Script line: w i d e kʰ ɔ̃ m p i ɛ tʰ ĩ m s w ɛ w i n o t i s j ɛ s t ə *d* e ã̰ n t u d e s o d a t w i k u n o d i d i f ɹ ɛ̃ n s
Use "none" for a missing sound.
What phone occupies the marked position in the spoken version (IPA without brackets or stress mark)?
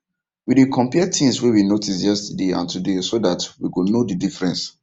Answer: d